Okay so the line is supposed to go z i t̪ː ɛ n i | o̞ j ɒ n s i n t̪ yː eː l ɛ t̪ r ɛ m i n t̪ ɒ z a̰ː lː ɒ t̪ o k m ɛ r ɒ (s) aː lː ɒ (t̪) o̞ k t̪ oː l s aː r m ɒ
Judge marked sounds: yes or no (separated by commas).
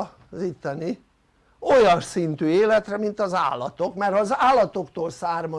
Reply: no, yes